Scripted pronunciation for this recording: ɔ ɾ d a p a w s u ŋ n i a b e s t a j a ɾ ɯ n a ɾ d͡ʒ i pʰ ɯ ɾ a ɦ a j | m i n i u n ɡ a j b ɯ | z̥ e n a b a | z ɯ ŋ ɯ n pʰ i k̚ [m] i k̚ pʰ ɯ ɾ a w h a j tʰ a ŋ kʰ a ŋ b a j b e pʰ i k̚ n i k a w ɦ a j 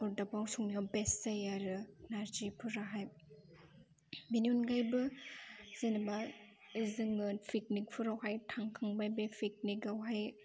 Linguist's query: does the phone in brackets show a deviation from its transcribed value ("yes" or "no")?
yes